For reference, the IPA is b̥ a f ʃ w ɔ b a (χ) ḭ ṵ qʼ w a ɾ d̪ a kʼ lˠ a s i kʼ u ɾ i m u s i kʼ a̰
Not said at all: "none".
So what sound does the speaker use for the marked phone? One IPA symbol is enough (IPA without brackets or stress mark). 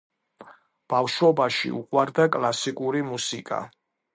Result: ʃ